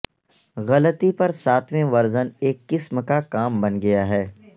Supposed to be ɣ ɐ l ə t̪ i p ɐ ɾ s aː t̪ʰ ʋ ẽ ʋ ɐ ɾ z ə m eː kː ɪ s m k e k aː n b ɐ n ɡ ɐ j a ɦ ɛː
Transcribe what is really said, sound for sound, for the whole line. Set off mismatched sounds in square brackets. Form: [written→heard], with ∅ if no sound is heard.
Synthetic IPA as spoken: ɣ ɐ l ə t̪ i p ɐ ɾ s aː t̪ʰ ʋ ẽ ʋ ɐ ɾ z ə [m→n] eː kː ɪ s m k [e→a] k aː [n→m] b ɐ n ɡ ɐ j a ɦ ɛː